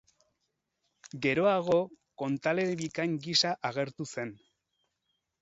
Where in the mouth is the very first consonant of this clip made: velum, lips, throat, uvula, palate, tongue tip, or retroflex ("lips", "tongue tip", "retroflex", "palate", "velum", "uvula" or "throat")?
velum